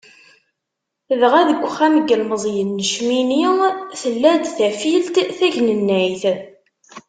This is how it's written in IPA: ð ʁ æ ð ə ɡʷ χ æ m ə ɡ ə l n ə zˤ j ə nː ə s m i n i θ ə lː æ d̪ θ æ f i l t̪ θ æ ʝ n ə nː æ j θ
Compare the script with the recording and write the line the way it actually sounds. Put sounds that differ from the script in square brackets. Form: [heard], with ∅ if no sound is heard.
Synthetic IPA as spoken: ð ʁ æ ð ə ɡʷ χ æ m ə ɡ ə l [m] ə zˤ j ə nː ə [ʃ] m i n i θ ə lː æ d̪ θ æ f i l t̪ θ æ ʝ n ə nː æ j θ